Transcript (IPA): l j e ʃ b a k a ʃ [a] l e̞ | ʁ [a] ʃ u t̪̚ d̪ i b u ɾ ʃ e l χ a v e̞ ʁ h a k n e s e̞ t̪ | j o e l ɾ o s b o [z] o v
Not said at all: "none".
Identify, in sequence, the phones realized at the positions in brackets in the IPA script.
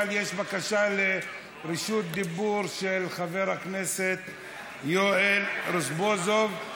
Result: a, i, z

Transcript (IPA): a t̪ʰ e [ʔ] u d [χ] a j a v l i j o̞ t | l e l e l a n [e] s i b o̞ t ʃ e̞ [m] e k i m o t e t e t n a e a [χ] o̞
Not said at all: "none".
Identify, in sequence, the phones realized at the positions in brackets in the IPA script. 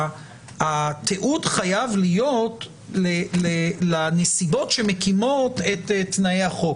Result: ʔ, χ, e, m, χ

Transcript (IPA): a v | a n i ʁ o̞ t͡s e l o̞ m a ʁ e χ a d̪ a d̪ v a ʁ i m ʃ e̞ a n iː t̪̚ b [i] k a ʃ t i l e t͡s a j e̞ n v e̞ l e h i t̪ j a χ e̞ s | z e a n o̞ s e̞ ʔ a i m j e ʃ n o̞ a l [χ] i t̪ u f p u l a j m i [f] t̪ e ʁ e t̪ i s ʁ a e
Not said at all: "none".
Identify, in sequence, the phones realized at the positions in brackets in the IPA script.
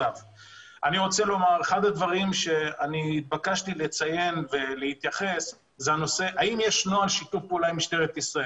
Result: a, ʃ, ʃ

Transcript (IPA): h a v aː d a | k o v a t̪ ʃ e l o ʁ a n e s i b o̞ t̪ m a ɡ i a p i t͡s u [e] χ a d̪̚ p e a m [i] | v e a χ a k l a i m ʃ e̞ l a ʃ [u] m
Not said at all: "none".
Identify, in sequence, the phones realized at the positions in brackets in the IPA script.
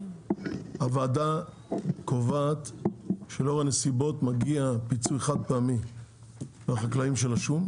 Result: e, i, u

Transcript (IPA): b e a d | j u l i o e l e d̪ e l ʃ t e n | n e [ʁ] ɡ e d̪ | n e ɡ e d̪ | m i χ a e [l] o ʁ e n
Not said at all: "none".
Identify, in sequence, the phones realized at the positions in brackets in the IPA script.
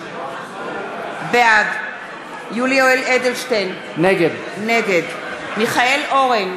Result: none, l

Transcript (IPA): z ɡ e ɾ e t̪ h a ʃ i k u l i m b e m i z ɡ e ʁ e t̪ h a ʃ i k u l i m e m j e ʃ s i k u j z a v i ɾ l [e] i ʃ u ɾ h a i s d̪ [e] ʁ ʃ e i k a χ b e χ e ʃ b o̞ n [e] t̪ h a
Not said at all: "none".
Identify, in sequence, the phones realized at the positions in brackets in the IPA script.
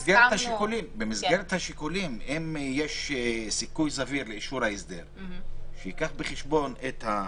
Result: e, e, e

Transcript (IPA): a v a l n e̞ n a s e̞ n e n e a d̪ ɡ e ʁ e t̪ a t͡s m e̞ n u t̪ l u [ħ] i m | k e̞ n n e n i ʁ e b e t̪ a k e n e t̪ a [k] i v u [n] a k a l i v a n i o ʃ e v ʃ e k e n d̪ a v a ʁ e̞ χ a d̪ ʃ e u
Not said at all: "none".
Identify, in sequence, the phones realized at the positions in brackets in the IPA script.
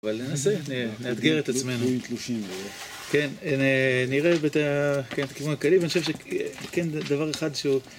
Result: ʃ, k, n

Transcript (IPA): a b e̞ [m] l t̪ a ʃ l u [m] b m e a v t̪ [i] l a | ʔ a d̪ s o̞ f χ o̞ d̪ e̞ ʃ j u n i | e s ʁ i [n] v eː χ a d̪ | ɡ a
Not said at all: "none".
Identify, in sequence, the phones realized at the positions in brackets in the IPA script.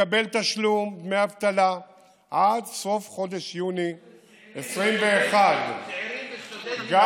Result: none, m, a, m

